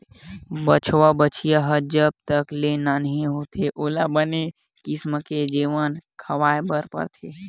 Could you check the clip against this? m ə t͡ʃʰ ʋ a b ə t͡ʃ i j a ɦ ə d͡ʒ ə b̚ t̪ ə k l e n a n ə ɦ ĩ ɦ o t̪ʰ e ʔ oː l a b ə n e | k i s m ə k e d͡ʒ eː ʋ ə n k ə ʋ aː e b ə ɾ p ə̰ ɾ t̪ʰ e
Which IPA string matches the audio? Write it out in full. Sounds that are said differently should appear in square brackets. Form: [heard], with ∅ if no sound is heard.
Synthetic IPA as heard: [b] ə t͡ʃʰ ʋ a b ə t͡ʃ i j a ɦ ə d͡ʒ ə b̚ t̪ ə k l e n a n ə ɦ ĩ ɦ o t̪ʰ e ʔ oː l a b ə n e | k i s m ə k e d͡ʒ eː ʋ ə n [kʰ] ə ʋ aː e b ə ɾ p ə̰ ɾ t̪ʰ e